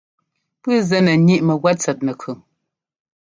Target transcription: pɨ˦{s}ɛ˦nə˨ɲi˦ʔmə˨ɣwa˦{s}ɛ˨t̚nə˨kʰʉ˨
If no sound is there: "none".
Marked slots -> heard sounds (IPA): z, t͡s

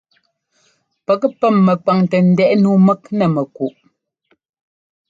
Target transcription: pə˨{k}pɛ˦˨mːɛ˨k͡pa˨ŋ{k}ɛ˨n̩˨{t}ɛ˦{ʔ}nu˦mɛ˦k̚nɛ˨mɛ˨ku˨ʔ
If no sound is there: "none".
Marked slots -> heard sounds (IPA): k, t, d, ʔ

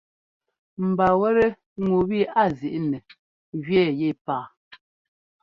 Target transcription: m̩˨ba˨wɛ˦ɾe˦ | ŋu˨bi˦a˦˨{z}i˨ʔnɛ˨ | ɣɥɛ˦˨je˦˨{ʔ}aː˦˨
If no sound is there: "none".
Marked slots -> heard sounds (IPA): z, p

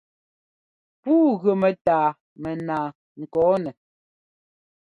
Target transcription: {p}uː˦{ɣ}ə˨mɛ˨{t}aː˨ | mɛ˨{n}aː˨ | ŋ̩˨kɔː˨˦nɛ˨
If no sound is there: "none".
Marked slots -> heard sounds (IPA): p, ɣ, t, n

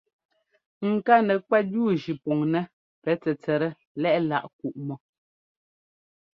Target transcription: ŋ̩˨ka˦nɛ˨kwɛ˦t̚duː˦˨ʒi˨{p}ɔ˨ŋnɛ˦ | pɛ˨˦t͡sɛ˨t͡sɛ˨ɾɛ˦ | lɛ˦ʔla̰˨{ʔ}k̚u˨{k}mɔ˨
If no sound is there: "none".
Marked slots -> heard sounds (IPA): p, ʔ, ʔ

